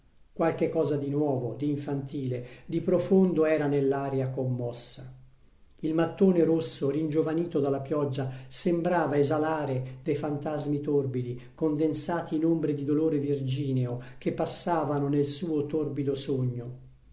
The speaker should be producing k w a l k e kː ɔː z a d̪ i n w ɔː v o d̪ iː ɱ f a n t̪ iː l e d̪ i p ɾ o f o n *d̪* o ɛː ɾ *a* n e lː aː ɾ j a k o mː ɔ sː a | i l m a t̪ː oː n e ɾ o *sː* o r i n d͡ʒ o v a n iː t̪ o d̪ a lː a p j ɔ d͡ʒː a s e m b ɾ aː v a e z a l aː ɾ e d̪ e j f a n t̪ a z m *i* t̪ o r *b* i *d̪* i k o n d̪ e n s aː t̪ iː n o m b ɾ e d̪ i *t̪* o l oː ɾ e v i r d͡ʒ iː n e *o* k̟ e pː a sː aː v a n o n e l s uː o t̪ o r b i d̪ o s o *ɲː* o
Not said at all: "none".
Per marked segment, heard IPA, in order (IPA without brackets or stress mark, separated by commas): d̪, a, sː, i, b, d̪, d̪, o, ɲː